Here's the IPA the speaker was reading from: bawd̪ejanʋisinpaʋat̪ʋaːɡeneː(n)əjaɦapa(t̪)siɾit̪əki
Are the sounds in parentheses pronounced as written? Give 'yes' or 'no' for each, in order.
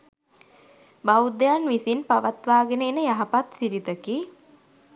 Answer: yes, yes

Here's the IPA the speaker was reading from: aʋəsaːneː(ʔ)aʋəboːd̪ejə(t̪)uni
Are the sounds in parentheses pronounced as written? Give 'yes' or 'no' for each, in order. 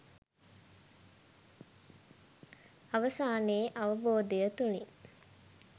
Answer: yes, yes

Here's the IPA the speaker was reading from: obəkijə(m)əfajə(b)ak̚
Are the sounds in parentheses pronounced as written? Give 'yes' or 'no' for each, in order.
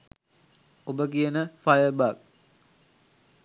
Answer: no, yes

